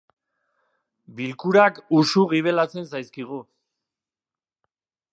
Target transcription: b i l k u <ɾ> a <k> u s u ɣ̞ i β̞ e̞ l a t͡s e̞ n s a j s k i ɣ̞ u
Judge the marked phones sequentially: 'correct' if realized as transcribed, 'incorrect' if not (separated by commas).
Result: correct, correct